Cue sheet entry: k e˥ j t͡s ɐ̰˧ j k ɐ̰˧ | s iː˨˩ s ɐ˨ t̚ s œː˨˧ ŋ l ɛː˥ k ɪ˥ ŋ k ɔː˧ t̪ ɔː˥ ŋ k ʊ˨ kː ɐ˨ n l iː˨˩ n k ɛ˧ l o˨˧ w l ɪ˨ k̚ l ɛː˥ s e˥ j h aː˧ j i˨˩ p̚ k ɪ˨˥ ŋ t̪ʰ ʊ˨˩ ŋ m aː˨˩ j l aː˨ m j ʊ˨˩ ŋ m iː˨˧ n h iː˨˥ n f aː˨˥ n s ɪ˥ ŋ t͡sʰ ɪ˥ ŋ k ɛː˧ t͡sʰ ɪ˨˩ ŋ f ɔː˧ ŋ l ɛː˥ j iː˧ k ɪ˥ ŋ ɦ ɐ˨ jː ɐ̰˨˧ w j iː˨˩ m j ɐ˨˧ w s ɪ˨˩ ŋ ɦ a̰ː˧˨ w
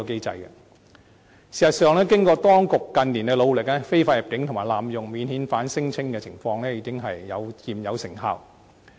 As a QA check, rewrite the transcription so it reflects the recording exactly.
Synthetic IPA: k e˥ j t͡s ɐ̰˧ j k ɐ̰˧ | s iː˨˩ s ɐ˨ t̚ s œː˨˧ ŋ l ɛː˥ k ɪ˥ ŋ k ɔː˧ t̪ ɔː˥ ŋ k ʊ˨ kː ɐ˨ n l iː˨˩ n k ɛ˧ l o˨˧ w l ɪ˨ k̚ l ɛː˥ f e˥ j f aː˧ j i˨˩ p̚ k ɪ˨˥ ŋ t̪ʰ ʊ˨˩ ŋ m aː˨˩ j l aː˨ m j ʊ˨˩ ŋ m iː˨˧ n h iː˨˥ n f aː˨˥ n s ɪ˥ ŋ t͡sʰ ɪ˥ ŋ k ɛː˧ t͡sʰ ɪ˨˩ ŋ f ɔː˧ ŋ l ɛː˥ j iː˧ k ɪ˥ ŋ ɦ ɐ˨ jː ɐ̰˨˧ w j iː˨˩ m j ɐ˨˧ w s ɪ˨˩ ŋ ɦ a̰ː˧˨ w